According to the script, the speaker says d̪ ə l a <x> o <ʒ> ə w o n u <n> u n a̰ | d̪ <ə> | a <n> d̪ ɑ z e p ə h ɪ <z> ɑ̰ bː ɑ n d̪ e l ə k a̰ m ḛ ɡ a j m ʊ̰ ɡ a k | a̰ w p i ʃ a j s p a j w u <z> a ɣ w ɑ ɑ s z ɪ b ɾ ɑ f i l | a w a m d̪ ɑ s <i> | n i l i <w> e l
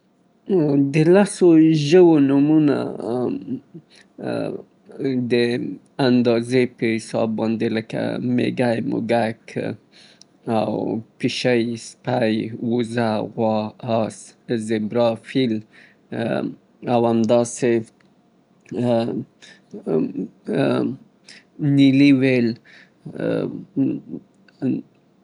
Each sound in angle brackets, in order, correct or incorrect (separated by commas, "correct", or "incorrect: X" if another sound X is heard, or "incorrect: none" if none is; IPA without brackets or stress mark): incorrect: s, correct, incorrect: m, correct, correct, incorrect: s, correct, incorrect: e, correct